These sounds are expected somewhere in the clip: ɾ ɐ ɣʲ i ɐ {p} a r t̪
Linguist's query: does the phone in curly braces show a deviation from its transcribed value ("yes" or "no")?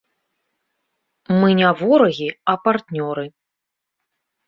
no